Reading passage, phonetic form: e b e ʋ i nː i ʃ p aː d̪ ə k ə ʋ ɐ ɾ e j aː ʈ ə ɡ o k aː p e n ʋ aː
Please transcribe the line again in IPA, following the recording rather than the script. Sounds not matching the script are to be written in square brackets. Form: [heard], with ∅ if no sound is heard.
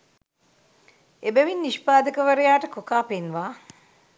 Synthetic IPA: e b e ʋ i nː i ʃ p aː d̪ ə k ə ʋ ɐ ɾ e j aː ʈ ə [k] o k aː p e n ʋ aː

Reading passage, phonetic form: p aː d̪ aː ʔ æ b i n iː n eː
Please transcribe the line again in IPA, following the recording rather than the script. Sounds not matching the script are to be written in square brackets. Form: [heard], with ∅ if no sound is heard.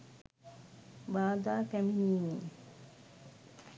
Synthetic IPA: [b] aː d̪ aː [k] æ [m] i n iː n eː

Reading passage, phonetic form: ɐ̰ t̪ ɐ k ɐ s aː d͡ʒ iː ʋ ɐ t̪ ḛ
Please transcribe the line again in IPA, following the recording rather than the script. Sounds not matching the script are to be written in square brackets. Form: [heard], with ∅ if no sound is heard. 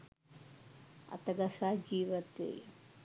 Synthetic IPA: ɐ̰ t̪ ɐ [ɡ] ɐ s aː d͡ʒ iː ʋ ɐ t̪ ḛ

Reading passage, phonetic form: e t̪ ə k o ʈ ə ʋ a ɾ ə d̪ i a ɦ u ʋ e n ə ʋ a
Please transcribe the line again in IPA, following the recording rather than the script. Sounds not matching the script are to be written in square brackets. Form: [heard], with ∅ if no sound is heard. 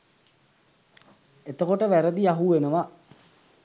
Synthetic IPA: e t̪ ə k o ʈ ə ʋ [æ] ɾ ə d̪ i a ɦ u ʋ e n ə ʋ a

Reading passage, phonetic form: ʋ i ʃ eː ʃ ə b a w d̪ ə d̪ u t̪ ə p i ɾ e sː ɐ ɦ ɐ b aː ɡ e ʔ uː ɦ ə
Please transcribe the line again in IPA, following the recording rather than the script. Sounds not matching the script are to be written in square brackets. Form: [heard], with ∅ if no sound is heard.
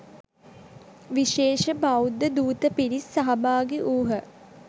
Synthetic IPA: ʋ i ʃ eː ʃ ə b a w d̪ ə d̪ [uː] t̪ ə p i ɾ [i] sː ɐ ɦ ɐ b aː ɡ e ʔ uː ɦ ə

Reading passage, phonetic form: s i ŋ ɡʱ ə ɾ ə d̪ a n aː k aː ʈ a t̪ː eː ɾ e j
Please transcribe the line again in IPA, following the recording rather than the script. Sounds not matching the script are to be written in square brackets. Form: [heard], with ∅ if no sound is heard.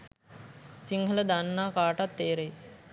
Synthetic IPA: s i ŋ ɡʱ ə [l] ə d̪ a [nː] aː k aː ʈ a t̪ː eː ɾ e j

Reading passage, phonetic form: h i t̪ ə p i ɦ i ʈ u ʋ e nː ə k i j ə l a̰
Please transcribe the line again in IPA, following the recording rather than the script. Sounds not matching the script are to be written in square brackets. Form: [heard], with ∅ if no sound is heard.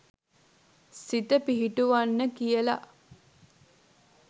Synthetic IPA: [s] i t̪ ə p i ɦ i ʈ u ʋ [a] nː ə k i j ə l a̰

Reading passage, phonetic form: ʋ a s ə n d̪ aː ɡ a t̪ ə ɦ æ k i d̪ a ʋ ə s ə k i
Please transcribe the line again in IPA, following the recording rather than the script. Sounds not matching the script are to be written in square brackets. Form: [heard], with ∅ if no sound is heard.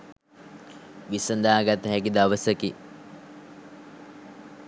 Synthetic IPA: ʋ [i] s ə n d̪ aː ɡ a t̪ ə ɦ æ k i d̪ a ʋ ə s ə k i

